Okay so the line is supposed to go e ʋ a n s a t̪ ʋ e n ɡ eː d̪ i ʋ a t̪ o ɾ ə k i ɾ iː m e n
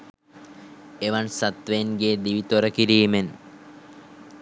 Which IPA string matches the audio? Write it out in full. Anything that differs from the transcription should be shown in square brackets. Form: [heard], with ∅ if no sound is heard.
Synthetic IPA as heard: e ʋ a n s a t̪ ʋ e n ɡ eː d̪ i ʋ [i] t̪ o ɾ ə k i ɾ iː m e n